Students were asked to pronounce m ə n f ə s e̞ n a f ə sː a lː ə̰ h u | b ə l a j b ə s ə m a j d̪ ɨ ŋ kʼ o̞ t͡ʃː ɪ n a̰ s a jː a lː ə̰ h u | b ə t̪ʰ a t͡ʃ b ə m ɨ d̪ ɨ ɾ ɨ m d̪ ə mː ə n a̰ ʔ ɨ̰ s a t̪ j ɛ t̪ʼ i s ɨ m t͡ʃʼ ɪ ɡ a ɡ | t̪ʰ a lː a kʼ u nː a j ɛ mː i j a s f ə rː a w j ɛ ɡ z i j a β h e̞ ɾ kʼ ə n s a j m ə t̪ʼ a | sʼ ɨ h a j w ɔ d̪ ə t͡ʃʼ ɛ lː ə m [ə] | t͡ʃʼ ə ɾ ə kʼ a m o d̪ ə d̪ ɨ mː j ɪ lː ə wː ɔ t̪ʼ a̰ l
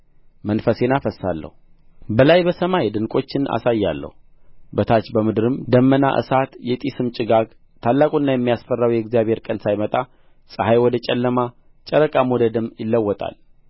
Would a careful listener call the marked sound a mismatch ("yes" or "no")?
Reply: yes